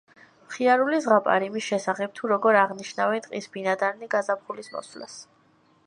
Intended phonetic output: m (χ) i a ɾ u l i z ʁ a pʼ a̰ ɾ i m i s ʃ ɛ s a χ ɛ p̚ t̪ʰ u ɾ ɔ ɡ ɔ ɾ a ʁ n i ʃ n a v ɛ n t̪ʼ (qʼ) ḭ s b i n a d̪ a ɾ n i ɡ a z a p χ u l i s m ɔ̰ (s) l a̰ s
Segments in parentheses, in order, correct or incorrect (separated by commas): correct, correct, correct